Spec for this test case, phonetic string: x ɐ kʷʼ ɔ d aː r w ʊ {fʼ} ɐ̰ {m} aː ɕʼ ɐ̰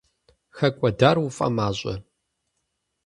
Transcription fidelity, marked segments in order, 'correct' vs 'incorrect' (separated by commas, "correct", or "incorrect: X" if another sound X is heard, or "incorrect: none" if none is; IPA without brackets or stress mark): correct, correct